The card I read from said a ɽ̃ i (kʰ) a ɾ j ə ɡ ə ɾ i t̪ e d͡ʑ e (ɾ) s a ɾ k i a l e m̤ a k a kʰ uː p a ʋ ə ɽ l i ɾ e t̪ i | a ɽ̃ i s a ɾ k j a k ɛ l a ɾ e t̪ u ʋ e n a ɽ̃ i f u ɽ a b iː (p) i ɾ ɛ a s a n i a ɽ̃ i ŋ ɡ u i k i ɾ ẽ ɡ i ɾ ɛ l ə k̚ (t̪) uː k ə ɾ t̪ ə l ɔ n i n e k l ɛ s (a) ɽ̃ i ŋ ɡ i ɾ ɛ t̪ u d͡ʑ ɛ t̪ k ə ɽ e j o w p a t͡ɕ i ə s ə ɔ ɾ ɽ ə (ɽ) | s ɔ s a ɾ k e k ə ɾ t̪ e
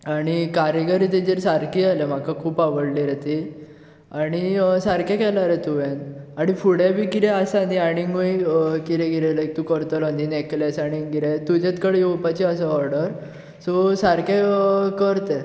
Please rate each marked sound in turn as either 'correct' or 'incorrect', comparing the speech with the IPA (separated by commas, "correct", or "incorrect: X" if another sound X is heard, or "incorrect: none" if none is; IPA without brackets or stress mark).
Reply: incorrect: k, correct, incorrect: k, correct, correct, incorrect: ɾ